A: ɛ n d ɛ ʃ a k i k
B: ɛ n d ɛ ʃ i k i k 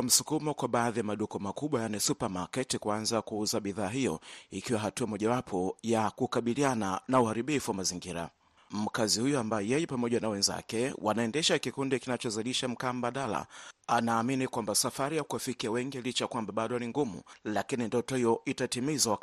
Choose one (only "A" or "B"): A